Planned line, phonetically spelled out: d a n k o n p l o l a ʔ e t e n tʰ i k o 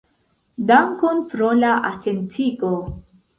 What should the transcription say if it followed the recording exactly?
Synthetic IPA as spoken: d a ŋ k o n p ɾ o l a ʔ a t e n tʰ i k o